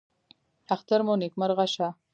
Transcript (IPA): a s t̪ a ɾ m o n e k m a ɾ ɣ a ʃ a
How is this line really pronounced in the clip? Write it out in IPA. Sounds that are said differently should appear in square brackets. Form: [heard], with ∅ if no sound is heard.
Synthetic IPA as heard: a [x] t̪ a ɾ m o n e k m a ɾ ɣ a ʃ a